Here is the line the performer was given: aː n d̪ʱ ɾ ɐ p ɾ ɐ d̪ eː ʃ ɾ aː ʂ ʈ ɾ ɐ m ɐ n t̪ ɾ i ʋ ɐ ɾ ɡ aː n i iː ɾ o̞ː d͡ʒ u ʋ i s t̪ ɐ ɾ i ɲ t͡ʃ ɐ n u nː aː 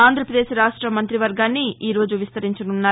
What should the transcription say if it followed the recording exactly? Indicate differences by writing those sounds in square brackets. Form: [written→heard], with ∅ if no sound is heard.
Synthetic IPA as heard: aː n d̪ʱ ɾ ɐ p ɾ ɐ d̪ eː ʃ ɾ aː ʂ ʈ ɾ ɐ m ɐ n t̪ ɾ i ʋ ɐ ɾ ɡ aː [n→nː] i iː ɾ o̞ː d͡ʒ u ʋ i s t̪ ɐ ɾ i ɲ t͡ʃ ɐ n u nː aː